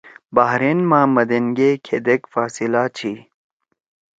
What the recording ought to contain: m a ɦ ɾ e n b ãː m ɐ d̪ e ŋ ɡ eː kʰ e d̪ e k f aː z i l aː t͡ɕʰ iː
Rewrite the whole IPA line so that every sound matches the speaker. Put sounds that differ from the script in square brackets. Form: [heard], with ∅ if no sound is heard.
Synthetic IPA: [b] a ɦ ɾ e n [m] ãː m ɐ d̪ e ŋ ɡ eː kʰ e d̪ e k f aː [s] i l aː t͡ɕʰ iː